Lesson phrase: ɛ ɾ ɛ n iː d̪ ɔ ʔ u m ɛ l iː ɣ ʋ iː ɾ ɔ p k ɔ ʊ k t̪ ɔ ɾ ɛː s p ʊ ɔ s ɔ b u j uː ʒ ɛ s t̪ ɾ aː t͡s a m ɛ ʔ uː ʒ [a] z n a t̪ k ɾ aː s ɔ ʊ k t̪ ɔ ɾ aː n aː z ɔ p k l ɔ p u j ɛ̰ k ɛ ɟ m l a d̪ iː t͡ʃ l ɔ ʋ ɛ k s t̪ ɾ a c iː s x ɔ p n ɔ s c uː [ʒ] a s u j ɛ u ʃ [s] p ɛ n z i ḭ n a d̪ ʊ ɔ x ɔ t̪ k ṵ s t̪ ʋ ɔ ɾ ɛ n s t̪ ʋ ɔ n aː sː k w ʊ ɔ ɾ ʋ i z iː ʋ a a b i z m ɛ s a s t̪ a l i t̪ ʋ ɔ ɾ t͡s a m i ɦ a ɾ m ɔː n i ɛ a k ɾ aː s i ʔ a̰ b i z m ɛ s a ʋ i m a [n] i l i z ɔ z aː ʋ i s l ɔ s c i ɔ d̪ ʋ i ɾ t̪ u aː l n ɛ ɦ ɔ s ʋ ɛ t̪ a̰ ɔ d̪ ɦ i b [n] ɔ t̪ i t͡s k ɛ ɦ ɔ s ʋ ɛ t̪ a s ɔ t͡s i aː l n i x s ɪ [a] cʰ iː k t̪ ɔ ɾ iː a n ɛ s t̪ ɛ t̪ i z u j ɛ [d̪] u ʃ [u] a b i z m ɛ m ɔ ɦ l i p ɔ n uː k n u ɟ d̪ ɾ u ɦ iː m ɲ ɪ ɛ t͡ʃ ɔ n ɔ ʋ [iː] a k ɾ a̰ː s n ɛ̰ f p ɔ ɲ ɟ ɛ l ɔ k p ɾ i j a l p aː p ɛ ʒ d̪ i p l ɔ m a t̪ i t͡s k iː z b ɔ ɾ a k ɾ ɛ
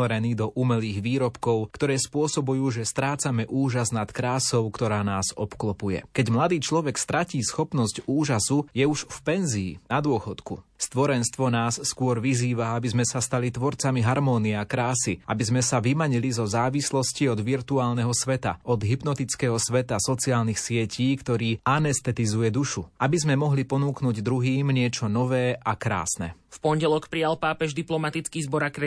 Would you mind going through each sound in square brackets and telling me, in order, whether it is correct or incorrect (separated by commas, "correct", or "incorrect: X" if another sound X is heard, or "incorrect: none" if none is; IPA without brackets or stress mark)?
correct, correct, incorrect: f, incorrect: ɲ, correct, incorrect: ɛ, correct, correct, incorrect: ɛː